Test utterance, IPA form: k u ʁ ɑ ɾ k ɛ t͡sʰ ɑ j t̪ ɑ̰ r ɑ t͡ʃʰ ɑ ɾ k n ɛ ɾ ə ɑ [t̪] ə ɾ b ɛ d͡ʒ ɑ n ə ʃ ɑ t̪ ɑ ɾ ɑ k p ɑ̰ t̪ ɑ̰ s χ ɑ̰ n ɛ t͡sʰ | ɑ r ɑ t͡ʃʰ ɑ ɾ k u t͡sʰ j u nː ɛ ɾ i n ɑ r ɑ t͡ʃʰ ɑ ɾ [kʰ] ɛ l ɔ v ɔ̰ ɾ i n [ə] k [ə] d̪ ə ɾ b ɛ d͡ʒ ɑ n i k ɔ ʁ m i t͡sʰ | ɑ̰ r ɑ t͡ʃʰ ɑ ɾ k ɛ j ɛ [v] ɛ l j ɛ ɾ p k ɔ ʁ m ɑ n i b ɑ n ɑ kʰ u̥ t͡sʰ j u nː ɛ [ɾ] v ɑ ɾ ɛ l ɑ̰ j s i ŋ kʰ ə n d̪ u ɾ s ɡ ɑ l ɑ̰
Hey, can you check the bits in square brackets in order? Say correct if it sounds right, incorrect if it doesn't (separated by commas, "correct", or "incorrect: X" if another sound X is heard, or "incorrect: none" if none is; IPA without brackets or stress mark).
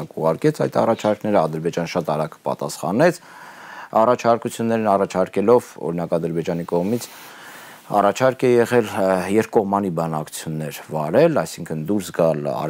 incorrect: d̪, incorrect: k, incorrect: ɑ, incorrect: ɑ, incorrect: ʁ, correct